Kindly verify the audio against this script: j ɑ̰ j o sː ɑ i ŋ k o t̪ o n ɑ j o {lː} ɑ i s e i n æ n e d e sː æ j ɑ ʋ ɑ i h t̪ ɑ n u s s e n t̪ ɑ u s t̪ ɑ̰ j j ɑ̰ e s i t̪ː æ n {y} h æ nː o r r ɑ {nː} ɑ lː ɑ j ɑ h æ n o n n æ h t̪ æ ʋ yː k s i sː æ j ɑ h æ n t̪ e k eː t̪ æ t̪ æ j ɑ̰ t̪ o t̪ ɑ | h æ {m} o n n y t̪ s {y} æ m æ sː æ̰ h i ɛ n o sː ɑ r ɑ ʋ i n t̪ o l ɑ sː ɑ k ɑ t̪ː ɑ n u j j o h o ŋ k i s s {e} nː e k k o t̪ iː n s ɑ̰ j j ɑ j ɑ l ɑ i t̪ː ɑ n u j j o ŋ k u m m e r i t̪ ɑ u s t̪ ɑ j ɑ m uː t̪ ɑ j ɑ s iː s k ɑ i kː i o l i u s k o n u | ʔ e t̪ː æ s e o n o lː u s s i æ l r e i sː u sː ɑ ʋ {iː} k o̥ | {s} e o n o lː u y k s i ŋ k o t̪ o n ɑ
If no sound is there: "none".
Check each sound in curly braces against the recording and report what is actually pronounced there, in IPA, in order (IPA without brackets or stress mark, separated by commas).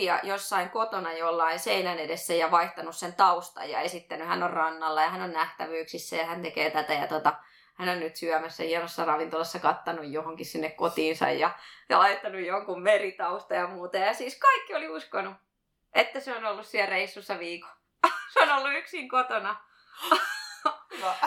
lː, y, nː, n, y, i, iː, s